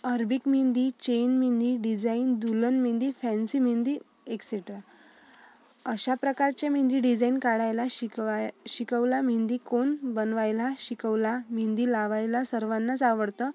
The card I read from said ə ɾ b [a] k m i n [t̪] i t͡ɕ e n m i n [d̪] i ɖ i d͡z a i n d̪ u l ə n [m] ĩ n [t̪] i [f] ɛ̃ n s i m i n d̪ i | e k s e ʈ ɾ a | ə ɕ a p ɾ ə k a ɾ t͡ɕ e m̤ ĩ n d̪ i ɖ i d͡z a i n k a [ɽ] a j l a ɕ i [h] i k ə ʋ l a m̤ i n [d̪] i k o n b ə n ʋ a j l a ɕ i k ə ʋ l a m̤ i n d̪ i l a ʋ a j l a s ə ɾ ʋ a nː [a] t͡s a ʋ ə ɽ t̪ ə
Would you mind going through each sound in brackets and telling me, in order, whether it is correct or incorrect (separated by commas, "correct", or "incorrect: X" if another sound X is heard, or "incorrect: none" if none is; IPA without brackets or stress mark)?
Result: incorrect: i, incorrect: d̪, correct, correct, incorrect: d̪, correct, correct, incorrect: ɕ, correct, correct